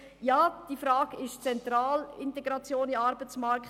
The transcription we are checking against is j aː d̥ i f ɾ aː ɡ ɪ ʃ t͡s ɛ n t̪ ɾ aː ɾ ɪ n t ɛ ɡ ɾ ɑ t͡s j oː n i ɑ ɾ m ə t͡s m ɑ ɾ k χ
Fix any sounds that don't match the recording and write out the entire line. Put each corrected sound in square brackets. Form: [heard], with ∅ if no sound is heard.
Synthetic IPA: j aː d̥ i f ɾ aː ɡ ɪ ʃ t͡s ɛ n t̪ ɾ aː [l] ɪ n t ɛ ɡ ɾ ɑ t͡s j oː n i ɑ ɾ [b] ə t͡s m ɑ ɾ k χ